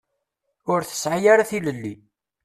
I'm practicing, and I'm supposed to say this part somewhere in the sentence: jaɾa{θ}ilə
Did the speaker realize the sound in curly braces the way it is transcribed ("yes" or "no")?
yes